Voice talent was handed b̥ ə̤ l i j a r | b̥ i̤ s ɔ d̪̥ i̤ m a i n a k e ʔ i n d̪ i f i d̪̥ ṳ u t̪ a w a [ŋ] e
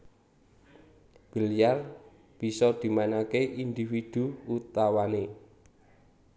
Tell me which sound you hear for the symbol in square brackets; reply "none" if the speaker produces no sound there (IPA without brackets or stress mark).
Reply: n